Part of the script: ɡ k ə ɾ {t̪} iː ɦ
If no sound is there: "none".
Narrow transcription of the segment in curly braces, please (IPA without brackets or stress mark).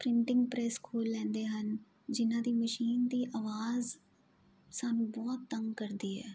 d̪